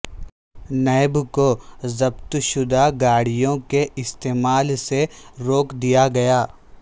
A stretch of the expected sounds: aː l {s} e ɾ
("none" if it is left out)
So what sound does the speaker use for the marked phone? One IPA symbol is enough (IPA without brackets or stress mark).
s